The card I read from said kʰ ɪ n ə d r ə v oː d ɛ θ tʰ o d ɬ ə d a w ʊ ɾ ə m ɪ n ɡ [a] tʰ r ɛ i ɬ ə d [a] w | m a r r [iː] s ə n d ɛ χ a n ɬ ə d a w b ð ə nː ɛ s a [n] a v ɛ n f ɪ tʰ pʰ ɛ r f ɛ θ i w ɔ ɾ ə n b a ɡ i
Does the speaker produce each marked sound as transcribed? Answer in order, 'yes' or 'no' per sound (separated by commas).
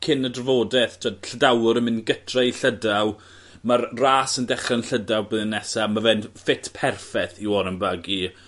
no, yes, no, no